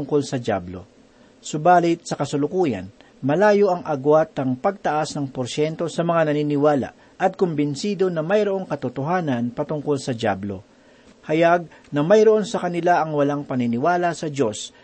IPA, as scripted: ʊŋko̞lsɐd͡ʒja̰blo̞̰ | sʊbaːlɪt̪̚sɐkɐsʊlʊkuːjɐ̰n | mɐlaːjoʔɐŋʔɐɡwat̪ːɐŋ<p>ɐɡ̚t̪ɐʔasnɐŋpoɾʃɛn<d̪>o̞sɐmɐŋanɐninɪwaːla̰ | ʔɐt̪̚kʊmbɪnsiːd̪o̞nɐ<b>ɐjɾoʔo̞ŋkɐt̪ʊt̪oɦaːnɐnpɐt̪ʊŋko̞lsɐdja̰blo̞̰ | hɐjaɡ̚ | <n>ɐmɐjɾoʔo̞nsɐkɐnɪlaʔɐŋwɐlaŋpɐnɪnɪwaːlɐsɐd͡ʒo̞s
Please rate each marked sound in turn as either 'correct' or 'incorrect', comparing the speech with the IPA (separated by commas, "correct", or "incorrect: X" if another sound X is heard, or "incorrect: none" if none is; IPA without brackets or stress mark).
correct, incorrect: t̪, incorrect: m, correct